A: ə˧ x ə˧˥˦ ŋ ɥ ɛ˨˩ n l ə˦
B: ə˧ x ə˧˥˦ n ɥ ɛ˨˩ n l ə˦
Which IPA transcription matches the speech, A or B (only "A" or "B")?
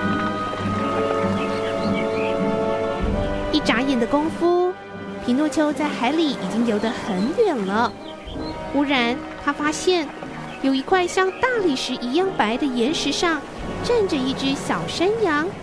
B